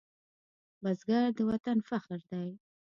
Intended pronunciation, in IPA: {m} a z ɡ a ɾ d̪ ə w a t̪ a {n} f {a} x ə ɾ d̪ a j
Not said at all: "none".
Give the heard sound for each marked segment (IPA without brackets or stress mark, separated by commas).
b, n, a